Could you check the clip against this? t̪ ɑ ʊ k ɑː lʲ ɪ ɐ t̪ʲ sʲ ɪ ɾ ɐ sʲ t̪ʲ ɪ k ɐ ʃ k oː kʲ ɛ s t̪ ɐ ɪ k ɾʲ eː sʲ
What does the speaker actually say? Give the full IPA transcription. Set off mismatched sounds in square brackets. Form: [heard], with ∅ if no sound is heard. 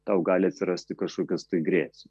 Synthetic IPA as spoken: t̪ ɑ ʊ [ɡ] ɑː lʲ ɪ ɐ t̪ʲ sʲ ɪ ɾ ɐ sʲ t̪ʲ ɪ k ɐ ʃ k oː kʲ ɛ s t̪ ɐ ɪ [ɡ] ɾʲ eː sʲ

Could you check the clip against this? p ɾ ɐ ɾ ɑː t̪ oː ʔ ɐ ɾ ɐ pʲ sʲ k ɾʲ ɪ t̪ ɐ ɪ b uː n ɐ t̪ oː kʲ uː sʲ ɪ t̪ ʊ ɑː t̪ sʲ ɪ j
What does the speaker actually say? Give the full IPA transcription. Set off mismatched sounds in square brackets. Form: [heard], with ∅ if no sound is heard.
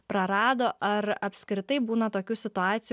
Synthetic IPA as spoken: p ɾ ɐ ɾ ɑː [d̪] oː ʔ ɐ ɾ ɐ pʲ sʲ k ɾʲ ɪ t̪ ɐ ɪ b uː n ɐ t̪ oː kʲ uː sʲ ɪ t̪ ʊ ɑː t̪ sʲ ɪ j

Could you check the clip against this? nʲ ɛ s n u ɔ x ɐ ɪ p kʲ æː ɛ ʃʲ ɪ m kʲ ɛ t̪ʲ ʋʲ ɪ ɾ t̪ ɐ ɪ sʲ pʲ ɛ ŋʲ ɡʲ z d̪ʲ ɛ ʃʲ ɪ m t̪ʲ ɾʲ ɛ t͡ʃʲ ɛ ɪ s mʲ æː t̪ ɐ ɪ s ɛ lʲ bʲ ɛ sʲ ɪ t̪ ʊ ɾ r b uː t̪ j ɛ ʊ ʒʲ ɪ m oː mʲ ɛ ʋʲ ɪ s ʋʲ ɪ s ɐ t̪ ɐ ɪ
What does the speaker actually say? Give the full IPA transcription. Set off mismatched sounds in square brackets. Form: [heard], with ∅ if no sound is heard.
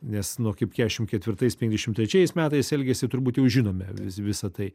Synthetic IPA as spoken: nʲ ɛ s n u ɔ [k] ɐ ɪ p kʲ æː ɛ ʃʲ ɪ m kʲ ɛ t̪ʲ ʋʲ ɪ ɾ t̪ ɐ ɪ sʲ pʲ ɛ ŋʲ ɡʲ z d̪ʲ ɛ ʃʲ ɪ m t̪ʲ ɾʲ ɛ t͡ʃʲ ɛ ɪ s mʲ æː t̪ ɐ ɪ s ɛ lʲ [ɡʲ] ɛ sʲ ɪ t̪ ʊ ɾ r b uː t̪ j ɛ ʊ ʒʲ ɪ [n] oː mʲ ɛ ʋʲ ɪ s ʋʲ ɪ s ɐ t̪ ɐ ɪ

